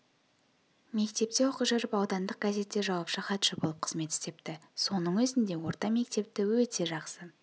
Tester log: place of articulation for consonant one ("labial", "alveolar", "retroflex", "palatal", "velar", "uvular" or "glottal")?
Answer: labial